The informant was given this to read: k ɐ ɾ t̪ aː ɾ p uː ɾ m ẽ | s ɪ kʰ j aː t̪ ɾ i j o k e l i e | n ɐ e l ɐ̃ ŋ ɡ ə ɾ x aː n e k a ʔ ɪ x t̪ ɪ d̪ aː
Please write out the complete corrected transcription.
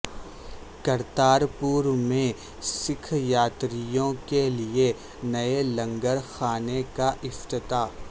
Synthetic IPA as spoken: k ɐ ɾ t̪ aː ɾ p uː ɾ m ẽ | s ɪ kʰ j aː t̪ ɾ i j õ k e l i e | n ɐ e l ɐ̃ ŋ ɡ ə ɾ x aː n e k a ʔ ɪ f t̪ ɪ t̪ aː